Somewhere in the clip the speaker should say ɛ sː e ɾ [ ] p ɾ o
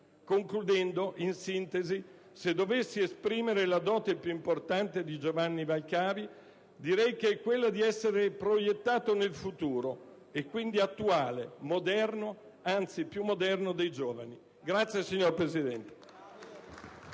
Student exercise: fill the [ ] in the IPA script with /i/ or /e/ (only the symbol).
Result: e